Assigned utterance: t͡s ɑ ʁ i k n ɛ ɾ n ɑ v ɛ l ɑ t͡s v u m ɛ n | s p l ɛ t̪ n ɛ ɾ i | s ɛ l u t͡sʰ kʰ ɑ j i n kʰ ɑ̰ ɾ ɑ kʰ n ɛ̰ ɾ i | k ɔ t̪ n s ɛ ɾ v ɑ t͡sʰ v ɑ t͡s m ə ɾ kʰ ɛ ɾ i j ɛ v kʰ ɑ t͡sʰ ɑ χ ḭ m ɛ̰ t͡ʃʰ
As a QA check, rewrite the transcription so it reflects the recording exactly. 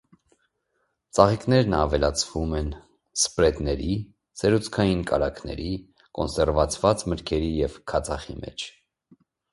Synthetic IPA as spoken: t͡s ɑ ʁ i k n ɛ ɾ n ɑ v ɛ l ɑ t͡sʰ v u m ɛ n | s p ɾ ɛ t̪ n ɛ ɾ i | s ɛ ɾ u t͡sʰ kʰ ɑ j i n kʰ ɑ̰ ɾ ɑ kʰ n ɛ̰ ɾ i | k ɔ n s ɛ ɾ v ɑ t͡sʰ v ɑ t͡s m ə ɾ kʰ ɛ ɾ i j ɛ v kʰ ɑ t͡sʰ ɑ χ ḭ m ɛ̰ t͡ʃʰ